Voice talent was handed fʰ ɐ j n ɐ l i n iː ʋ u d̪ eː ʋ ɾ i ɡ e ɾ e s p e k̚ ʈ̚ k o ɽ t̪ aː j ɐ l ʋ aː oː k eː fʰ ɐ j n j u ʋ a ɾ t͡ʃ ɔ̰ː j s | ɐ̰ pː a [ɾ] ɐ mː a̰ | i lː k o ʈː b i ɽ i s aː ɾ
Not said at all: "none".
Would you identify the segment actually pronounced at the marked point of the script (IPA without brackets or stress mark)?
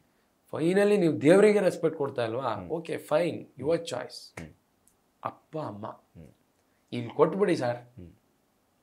none